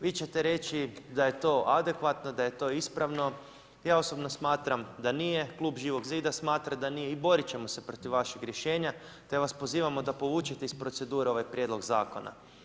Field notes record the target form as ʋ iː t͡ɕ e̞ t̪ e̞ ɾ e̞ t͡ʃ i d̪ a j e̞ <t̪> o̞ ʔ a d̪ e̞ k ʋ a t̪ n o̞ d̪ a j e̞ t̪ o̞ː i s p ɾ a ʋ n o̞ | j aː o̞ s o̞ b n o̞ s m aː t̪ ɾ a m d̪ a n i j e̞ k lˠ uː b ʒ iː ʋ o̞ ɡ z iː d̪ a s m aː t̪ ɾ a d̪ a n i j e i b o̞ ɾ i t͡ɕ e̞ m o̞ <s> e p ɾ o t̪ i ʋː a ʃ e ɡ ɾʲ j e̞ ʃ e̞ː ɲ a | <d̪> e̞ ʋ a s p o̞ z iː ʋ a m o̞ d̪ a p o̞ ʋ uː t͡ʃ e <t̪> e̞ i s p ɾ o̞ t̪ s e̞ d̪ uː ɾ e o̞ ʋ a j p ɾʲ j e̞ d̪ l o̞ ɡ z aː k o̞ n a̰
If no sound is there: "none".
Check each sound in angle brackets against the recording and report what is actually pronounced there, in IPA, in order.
t̪, s, t̪, t̪

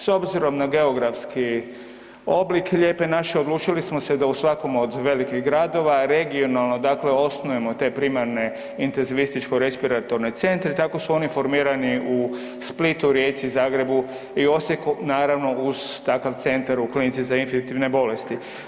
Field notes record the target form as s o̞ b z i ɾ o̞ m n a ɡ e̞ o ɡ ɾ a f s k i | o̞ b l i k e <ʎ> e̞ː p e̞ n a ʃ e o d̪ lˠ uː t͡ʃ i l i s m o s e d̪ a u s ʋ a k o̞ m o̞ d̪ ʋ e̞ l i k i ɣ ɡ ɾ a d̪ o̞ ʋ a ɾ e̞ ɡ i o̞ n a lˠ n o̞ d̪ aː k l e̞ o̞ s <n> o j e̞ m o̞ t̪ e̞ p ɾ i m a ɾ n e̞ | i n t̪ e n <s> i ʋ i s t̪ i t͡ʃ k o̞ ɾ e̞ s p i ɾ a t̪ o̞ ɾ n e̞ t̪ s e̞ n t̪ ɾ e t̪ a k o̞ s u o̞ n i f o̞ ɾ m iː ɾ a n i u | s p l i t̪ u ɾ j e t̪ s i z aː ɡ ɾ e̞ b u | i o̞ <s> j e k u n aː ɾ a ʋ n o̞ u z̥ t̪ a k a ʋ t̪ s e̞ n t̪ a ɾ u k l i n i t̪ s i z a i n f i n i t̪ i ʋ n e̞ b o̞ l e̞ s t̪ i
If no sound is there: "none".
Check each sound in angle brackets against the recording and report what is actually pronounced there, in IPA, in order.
ʎ, n, z, s

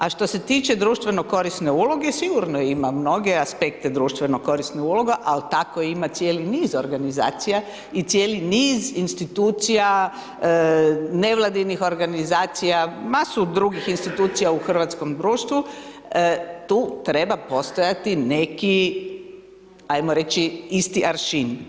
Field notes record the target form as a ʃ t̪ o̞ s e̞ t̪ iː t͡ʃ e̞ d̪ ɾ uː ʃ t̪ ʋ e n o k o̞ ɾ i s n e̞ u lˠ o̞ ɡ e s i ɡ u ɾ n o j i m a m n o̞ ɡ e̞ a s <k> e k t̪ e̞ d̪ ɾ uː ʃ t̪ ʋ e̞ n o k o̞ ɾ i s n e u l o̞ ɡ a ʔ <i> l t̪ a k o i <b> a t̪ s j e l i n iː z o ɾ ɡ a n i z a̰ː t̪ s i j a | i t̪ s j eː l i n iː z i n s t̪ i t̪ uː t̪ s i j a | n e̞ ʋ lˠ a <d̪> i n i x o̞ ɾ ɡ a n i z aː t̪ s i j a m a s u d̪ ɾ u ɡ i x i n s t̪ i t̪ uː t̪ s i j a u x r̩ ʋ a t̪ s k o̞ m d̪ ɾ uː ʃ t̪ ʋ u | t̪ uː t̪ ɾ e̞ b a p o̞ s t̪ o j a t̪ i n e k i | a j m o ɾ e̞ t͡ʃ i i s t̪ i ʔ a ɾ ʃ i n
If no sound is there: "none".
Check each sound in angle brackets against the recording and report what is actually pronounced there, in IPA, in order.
p, a, m, d̪

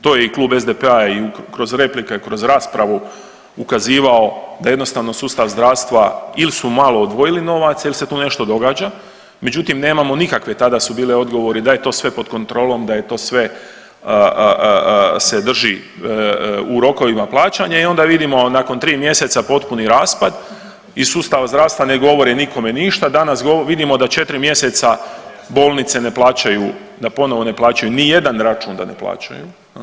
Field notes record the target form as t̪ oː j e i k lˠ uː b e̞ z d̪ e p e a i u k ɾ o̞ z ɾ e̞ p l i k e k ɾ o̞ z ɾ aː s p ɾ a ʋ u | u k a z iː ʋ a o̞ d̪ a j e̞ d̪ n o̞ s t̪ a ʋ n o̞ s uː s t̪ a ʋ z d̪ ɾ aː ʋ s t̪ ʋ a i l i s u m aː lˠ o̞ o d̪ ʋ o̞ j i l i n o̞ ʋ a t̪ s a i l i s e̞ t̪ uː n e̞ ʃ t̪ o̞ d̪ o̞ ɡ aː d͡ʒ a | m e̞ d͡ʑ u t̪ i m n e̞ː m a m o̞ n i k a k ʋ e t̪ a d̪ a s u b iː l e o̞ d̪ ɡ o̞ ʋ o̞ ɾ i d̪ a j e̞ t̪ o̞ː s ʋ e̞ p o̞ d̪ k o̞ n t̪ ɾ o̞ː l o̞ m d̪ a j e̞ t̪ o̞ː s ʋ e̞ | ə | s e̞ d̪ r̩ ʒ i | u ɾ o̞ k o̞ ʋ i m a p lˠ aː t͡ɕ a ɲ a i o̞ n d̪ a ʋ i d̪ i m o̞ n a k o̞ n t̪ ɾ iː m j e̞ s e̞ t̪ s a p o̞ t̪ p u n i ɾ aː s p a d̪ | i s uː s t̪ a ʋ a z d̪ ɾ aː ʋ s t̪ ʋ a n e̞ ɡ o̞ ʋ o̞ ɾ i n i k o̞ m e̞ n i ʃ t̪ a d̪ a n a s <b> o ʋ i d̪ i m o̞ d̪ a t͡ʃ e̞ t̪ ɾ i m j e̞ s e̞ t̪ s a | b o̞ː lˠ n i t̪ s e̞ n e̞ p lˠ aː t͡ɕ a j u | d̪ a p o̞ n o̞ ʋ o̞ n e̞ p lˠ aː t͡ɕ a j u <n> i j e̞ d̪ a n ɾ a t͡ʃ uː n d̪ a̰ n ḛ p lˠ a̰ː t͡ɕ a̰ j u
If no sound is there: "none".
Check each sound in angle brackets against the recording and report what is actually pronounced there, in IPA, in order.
ɡ, n

